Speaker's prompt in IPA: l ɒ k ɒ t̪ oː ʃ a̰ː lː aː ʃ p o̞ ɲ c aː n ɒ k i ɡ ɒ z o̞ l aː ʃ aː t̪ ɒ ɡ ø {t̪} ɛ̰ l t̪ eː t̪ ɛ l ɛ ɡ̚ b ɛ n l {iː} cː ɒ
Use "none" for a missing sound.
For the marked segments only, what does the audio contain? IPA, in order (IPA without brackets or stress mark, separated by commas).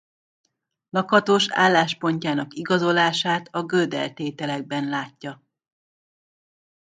d̪, aː